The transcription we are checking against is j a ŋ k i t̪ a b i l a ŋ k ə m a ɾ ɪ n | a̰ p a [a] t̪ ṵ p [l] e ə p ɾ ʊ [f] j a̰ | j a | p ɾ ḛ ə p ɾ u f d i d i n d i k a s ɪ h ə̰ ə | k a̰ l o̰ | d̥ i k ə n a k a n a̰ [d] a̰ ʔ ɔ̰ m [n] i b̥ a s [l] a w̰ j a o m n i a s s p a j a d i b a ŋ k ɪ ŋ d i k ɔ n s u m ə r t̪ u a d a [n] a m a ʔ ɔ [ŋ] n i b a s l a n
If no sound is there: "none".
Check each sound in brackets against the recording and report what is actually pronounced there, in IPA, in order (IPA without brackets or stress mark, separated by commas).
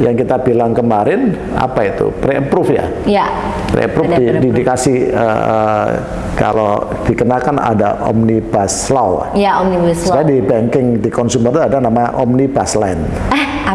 i, ɾ, f, d, n, l, n, m